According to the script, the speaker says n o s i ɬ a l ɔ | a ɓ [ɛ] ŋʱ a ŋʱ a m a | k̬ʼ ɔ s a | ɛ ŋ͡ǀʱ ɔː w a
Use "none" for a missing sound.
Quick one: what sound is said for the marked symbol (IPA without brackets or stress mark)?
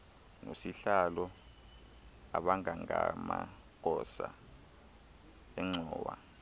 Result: a